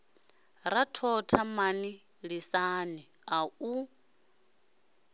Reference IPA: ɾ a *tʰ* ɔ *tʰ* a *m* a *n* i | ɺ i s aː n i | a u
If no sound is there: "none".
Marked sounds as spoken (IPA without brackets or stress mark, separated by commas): tʰ, tʰ, m, n